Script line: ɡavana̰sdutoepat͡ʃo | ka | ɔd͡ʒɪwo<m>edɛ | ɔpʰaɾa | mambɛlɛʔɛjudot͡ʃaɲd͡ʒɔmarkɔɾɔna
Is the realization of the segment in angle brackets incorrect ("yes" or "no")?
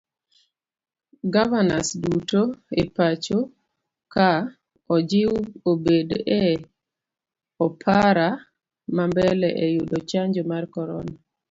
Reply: yes